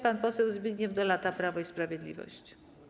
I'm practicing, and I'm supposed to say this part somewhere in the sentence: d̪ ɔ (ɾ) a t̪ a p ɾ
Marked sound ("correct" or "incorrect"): incorrect